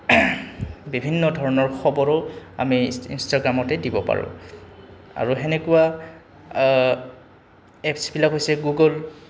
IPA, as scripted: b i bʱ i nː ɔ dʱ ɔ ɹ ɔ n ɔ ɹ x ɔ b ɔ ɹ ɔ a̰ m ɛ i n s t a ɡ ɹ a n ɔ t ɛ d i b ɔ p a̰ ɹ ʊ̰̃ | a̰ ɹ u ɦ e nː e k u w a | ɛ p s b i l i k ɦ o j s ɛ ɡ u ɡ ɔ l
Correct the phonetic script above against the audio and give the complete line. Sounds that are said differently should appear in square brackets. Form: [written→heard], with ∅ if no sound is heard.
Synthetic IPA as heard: b i bʱ i nː ɔ dʱ ɔ ɹ ɔ n ɔ ɹ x ɔ b ɔ ɹ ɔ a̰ m [ɛ→i] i n s t a ɡ ɹ a [n→m] ɔ t ɛ d i b ɔ p a̰ ɹ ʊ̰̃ | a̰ ɹ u ɦ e [nː→n] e k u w a | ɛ p s b i l [i→a] k ɦ o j s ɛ ɡ u ɡ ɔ l